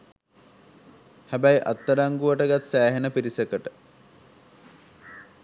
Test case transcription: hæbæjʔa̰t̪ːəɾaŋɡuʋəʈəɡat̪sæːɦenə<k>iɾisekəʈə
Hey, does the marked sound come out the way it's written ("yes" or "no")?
no